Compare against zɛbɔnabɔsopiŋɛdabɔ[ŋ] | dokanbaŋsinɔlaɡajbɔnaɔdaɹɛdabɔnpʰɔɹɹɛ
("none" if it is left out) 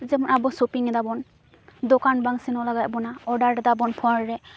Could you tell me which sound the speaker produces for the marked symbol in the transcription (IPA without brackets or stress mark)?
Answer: n